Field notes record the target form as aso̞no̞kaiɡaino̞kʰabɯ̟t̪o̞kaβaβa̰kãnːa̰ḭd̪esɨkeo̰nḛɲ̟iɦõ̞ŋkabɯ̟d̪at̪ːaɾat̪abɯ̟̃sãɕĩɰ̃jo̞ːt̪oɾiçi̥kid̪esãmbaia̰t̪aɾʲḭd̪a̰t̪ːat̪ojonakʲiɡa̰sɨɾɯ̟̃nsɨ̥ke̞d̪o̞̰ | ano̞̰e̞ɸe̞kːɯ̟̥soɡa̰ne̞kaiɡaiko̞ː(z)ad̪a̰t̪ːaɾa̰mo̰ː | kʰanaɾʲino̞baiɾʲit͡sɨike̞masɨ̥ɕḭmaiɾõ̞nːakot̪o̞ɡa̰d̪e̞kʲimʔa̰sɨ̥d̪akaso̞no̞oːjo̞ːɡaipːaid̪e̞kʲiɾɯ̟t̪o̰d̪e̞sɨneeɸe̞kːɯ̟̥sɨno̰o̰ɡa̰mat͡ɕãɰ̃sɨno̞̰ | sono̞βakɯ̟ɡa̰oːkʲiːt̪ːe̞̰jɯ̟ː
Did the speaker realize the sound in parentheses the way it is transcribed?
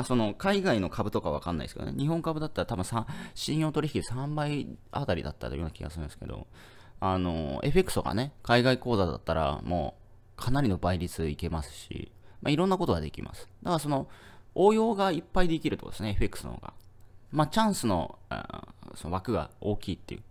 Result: yes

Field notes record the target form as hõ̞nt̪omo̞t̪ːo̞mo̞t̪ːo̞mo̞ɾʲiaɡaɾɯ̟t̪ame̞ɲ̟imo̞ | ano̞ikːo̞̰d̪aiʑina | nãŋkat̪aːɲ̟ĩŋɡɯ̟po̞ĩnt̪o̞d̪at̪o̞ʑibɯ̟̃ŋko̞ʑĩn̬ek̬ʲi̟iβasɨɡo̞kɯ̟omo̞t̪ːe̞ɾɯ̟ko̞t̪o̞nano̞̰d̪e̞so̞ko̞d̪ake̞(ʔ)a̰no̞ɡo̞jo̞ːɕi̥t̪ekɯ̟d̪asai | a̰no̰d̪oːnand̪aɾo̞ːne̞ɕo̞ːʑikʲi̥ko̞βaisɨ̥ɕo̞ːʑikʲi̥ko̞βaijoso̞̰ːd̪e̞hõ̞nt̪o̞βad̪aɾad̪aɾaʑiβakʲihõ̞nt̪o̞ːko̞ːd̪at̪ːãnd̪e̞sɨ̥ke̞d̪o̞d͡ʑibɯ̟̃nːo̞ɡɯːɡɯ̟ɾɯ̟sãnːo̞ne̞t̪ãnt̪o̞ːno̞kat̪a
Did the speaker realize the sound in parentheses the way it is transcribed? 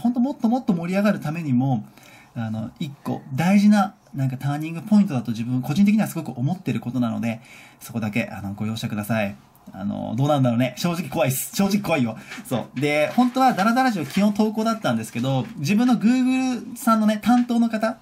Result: yes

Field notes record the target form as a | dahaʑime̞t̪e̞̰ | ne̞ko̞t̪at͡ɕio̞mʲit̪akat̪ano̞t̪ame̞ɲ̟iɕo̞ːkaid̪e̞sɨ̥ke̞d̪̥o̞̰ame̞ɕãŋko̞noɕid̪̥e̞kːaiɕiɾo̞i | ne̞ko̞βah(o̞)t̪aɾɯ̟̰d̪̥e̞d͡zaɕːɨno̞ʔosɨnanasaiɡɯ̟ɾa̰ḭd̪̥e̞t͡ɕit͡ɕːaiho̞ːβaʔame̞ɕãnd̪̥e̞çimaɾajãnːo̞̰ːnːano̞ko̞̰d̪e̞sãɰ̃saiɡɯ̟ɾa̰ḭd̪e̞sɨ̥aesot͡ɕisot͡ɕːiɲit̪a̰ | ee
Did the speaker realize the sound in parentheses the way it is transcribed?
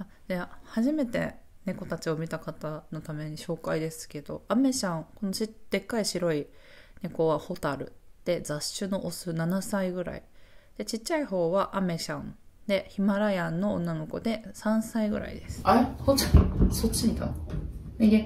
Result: yes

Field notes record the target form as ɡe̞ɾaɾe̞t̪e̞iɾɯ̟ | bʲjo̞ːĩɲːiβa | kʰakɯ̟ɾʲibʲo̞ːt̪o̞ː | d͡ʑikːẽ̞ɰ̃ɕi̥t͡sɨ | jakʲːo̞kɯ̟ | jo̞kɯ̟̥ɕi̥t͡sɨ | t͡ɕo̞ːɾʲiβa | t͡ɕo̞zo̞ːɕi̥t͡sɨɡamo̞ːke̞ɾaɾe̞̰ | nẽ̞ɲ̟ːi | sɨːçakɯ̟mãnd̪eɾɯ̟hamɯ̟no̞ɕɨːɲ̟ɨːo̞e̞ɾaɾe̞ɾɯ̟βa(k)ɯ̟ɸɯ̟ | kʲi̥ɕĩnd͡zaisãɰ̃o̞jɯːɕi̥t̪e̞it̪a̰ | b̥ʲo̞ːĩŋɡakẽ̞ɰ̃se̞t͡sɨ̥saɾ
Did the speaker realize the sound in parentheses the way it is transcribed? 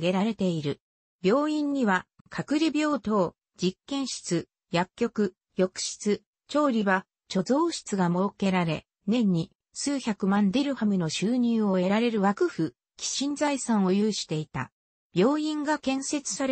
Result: yes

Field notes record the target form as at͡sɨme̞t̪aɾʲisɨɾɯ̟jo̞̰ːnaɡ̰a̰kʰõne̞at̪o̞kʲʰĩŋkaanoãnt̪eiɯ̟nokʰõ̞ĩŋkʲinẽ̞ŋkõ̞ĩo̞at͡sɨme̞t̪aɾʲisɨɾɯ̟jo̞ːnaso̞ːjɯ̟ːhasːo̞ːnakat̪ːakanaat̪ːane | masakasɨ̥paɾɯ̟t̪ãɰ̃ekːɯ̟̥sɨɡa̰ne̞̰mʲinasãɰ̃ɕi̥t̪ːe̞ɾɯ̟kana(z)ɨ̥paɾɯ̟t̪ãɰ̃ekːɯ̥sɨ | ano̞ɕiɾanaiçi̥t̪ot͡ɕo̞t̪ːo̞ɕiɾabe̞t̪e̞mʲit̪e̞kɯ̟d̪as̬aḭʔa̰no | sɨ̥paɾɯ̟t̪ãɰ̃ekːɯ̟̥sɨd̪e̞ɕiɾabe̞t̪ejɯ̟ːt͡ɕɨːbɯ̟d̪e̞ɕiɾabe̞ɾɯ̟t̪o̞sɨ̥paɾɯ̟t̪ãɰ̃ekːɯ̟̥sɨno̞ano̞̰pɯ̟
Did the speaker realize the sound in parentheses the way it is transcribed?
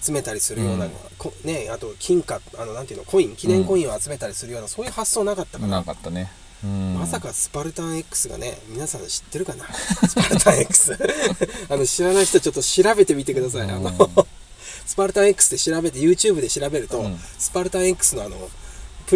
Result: no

